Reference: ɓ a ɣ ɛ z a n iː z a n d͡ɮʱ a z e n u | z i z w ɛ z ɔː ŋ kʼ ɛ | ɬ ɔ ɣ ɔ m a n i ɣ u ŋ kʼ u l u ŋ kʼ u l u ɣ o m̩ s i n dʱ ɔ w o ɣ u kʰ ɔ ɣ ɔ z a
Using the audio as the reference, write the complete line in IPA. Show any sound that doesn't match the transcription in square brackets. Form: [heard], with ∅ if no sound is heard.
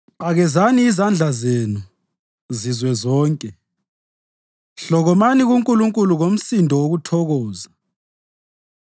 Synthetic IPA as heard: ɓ a ɣ ɛ z a n iː z a n d͡ɮʱ a z e n u | z i z w ɛ z ɔː ŋ kʼ ɛ | ɬ ɔ ɣ ɔ m a n i ɣ u ŋ kʼ u l u ŋ kʼ u l u ɣ o m̩ s i n dʱ ɔ w o ɣ u [tʰ] ɔ ɣ [ɔː] z a